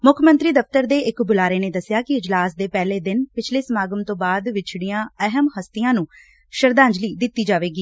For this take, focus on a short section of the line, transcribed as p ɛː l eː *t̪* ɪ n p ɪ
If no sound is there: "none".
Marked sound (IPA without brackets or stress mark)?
d̪